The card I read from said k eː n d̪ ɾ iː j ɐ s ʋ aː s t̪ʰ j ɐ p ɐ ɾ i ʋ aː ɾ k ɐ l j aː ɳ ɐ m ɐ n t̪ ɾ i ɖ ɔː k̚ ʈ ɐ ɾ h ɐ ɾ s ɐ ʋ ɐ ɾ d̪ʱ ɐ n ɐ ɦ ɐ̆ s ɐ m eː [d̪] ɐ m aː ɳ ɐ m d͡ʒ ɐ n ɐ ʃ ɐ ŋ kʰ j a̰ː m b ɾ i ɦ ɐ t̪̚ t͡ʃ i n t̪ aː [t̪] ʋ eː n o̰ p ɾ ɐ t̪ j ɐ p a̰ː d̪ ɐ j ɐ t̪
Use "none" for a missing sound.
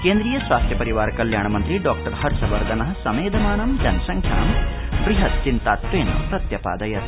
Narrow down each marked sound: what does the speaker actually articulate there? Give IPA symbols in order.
d̪, t̪

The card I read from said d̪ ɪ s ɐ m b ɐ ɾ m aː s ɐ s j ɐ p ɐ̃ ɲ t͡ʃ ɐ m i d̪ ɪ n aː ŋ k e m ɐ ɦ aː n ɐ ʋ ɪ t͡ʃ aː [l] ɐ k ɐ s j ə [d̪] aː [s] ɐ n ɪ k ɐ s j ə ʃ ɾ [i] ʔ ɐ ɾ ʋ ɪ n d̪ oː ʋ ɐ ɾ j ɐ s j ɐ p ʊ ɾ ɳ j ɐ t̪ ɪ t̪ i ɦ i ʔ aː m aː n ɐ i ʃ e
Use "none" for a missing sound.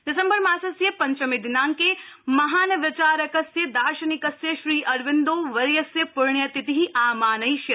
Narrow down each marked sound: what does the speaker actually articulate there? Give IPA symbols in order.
ɾ, d̪, ʃ, iː

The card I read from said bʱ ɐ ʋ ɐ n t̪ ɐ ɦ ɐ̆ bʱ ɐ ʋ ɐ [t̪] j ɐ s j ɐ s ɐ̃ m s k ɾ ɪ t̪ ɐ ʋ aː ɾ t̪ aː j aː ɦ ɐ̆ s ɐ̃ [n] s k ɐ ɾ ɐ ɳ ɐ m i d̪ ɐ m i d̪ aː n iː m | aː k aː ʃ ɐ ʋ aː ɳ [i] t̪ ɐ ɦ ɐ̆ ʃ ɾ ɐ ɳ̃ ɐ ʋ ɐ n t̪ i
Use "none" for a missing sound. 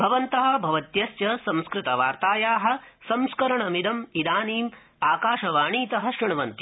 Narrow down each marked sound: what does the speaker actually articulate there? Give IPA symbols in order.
t̪, m, iː

